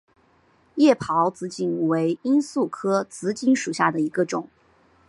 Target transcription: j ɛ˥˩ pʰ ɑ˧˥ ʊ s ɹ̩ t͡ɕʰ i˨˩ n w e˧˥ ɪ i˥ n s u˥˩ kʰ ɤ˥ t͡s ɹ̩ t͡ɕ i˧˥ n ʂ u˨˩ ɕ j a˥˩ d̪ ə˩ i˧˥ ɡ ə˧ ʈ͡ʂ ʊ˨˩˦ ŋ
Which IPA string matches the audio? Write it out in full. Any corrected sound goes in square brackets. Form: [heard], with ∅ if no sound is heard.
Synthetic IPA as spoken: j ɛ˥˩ pʰ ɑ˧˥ ʊ [t͡s] ɹ̩ [t͡ɕ] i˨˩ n w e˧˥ ɪ i˥ n s u˥˩ kʰ ɤ˥ t͡s ɹ̩ t͡ɕ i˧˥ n ʂ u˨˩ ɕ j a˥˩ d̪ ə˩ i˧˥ ɡ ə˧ ʈ͡ʂ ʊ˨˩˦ ŋ